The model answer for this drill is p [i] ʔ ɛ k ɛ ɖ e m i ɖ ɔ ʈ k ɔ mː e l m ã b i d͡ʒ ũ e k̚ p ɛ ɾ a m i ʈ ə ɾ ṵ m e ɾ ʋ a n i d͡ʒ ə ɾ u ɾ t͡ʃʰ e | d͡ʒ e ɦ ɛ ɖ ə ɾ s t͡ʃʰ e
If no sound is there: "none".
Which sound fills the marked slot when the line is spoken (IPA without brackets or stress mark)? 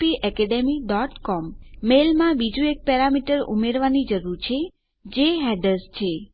i